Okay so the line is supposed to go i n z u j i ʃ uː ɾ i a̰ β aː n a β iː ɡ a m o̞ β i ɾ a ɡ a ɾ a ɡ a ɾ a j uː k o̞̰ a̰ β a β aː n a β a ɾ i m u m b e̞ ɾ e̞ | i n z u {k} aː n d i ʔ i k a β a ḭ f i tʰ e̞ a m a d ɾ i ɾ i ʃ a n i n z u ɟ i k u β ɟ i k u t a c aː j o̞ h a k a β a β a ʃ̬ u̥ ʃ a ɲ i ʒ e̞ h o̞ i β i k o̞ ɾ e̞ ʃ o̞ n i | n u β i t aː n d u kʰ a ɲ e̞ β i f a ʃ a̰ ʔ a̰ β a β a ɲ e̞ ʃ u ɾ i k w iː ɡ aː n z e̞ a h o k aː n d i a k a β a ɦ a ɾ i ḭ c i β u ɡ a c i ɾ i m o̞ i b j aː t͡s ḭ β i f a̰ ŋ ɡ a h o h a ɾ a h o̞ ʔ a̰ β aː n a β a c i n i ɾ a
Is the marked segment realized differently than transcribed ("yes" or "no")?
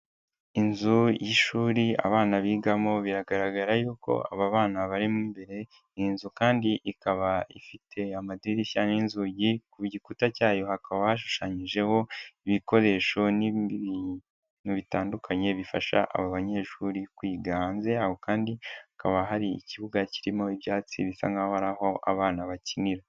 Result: no